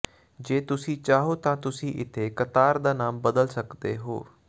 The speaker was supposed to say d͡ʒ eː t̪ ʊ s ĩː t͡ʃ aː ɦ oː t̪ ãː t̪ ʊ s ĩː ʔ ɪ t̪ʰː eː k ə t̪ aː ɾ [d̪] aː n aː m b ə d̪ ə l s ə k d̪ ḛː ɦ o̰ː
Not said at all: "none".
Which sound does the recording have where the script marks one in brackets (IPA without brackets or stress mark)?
d̪